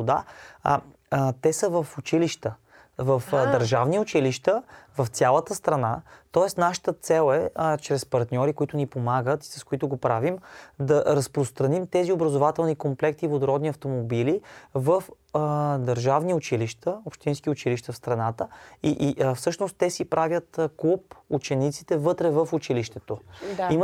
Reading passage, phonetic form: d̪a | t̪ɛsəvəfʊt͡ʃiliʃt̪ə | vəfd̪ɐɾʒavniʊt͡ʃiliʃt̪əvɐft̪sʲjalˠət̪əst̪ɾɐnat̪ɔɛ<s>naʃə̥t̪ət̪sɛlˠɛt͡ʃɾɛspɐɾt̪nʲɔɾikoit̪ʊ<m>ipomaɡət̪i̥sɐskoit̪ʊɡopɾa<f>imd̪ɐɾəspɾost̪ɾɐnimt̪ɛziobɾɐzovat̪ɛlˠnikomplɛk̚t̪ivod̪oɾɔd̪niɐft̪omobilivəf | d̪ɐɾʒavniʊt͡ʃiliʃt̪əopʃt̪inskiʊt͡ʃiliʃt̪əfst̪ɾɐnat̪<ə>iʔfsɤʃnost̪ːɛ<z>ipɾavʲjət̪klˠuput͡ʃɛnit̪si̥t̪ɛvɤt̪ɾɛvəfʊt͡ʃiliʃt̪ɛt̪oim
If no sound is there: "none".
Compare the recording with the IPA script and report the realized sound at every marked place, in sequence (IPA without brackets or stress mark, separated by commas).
s, n, v, ə, s